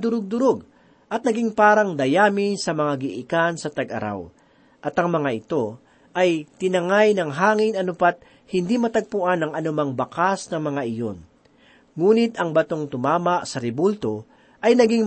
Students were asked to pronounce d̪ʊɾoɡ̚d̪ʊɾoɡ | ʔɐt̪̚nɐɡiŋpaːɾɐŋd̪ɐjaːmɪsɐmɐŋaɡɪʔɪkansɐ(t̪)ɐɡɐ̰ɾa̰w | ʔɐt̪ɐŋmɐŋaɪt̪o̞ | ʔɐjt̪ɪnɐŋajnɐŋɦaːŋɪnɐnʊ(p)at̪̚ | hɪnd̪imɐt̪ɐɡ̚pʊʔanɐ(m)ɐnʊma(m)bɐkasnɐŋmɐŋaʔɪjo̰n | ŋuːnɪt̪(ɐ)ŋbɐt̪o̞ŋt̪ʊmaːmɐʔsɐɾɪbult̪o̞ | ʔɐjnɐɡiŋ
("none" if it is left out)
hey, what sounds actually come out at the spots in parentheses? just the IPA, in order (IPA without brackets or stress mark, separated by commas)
t̪, p, ŋ, ŋ, ɐ